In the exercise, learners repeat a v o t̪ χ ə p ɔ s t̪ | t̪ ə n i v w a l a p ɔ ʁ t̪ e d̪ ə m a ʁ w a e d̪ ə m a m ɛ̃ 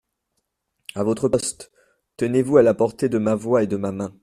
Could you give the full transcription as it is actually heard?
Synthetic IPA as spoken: a v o t̪ χ ə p ɔ s t̪ | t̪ ə n e v u a l a p ɔ ʁ t̪ e d̪ ə m a v w a e d̪ ə m a m ɛ̃